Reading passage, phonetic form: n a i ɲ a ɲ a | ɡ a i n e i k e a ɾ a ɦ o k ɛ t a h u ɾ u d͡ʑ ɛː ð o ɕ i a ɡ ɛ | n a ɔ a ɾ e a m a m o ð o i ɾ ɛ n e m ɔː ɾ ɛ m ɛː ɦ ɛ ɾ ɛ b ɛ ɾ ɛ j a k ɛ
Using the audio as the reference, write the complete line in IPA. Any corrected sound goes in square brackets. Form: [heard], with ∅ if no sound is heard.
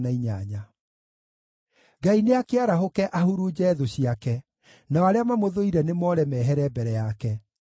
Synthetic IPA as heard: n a i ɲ a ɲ a | ɡ a i n e [a] k e a ɾ a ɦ o k ɛ [ʔ] a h u ɾ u d͡ʑ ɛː ð o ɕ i a [k] ɛ | n a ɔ a ɾ e a m a m o ð o i ɾ ɛ n e m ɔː ɾ ɛ m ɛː ɦ ɛ ɾ ɛ b ɛ ɾ ɛ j a k ɛ